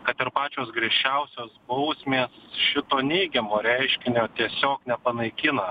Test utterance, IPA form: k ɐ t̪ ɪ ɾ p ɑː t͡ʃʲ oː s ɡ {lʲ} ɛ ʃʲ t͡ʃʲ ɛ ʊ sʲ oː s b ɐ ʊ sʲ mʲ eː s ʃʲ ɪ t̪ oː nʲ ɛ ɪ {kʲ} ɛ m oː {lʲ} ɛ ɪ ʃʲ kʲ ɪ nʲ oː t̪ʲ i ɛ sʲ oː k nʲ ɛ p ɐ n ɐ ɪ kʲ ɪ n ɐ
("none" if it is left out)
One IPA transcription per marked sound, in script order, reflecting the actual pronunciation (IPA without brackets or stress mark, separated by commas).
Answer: ɾʲ, ɡʲ, ɾʲ